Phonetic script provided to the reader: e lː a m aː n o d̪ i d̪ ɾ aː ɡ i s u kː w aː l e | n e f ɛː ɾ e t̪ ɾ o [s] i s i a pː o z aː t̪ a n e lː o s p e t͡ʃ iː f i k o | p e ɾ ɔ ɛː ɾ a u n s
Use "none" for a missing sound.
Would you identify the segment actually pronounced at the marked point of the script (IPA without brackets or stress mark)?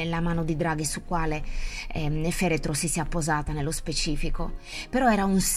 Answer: s